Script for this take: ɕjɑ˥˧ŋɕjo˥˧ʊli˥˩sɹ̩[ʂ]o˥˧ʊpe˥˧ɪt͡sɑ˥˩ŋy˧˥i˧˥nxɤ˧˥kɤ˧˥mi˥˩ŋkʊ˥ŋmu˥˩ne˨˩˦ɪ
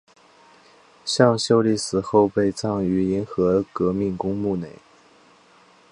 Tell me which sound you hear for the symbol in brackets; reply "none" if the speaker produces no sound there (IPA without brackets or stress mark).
x